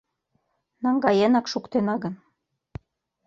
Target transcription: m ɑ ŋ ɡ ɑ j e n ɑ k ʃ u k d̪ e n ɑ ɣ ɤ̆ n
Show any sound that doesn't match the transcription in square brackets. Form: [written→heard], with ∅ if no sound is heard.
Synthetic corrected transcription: [m→n] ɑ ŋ ɡ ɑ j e n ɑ k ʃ u k [d̪→t̪] e n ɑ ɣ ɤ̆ n

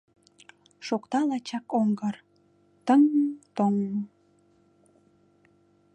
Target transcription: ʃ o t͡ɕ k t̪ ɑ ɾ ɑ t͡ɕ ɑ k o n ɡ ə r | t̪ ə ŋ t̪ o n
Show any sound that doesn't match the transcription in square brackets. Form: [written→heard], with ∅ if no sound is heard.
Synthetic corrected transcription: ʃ o [t͡ɕ→∅] k t̪ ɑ [ɾ→l] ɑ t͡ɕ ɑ k o [n→ŋ] ɡ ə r | t̪ ə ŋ t̪ o [n→ŋ]

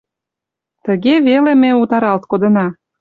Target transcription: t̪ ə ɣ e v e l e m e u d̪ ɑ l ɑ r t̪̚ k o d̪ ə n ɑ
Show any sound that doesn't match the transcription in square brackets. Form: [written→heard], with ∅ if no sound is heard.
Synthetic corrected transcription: t̪ ə ɣ e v e l e m e u [d̪→t̪] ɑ [l→ɾ] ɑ [r→l] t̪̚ k o d̪ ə n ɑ

